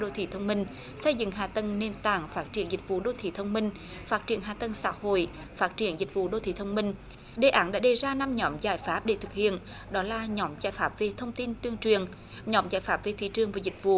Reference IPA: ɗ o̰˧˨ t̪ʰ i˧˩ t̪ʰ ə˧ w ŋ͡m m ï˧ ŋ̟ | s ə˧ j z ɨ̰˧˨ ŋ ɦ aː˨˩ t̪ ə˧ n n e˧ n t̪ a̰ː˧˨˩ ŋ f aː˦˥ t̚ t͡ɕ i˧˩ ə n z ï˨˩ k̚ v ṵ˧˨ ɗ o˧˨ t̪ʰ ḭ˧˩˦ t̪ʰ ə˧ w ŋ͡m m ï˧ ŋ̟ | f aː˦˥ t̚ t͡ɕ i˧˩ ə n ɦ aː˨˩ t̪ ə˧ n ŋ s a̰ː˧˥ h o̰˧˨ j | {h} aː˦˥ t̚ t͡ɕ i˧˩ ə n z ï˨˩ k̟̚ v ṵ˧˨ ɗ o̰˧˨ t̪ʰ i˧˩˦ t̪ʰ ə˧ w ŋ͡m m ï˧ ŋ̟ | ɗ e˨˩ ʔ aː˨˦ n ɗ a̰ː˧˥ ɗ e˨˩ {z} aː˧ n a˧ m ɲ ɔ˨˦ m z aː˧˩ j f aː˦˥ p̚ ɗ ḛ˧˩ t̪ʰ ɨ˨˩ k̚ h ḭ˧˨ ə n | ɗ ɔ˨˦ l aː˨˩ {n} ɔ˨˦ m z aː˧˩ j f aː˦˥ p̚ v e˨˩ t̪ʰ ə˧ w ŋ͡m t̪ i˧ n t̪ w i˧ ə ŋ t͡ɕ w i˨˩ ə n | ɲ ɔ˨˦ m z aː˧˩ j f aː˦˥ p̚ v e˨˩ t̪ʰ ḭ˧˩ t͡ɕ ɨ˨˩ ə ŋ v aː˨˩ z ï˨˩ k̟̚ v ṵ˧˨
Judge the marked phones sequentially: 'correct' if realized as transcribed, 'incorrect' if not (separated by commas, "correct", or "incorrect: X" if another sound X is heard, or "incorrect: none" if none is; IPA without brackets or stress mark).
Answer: incorrect: f, correct, incorrect: ɲ